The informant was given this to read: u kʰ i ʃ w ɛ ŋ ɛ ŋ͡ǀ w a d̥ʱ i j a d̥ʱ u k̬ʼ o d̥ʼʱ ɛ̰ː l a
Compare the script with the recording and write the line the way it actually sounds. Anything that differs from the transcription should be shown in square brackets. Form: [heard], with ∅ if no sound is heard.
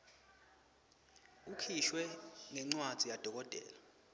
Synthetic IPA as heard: u kʰ i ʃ w ɛ ŋ ɛ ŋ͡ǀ w a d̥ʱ i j a d̥ʱ [ɔ] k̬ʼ [ɔ] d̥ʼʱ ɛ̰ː l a